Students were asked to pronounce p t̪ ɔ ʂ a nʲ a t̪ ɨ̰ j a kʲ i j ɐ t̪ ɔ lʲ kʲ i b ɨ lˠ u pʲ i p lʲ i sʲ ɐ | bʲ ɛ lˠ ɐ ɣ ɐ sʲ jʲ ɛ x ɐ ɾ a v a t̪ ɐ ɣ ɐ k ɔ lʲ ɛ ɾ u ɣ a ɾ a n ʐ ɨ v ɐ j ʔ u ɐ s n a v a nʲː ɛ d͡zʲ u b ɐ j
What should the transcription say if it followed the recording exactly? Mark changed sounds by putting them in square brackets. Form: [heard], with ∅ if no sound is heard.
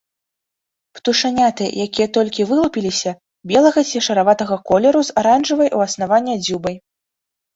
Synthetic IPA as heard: p t̪ [u] ʂ a nʲ a t̪ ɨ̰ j a kʲ i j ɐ t̪ ɔ lʲ kʲ i [v] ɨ lˠ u pʲ i [∅] lʲ i sʲ ɐ | bʲ ɛ lˠ ɐ ɣ ɐ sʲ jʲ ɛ [ʂ] ɐ ɾ a v a t̪ ɐ ɣ ɐ k ɔ lʲ ɛ ɾ u [z] a ɾ a n ʐ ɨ v ɐ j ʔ u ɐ s n a v a nʲː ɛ d͡zʲ u b ɐ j